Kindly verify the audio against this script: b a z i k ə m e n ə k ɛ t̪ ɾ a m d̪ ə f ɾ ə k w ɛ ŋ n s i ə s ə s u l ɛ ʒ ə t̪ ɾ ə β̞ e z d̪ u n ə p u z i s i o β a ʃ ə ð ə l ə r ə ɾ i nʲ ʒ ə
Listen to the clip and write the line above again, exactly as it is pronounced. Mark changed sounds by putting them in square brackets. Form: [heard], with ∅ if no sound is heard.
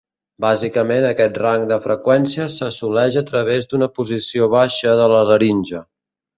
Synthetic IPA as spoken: b a z i k ə m e n ə k ɛ t̪ [r] a [ŋ] d̪ ə f ɾ ə k w ɛ [∅] n s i ə s ə s u l ɛ ʒ ə t̪ ɾ ə β̞ e z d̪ u n ə p u z i s i o β a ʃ ə ð ə l ə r ə ɾ i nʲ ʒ ə